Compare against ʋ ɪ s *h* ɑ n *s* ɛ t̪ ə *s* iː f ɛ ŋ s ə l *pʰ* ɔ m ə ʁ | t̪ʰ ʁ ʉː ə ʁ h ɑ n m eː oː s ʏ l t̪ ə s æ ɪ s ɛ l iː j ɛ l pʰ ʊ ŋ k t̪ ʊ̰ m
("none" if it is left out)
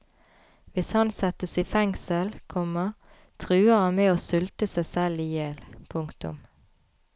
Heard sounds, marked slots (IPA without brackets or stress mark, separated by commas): h, s, s, kʰ